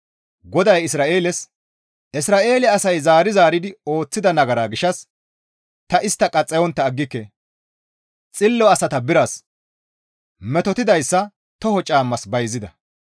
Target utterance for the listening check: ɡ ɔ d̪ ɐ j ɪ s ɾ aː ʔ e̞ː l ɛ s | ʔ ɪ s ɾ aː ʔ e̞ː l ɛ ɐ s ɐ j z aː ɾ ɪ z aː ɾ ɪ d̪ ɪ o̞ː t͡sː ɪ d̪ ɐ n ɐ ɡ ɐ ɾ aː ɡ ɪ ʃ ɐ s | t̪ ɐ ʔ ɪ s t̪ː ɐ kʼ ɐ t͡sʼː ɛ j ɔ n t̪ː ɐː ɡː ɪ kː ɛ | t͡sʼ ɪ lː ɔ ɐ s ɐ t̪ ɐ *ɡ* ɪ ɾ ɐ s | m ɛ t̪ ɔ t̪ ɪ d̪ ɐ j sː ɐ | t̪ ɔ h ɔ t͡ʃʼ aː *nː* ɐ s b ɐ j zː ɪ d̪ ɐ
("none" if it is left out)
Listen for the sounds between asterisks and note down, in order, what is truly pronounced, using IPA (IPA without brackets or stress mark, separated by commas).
b, mː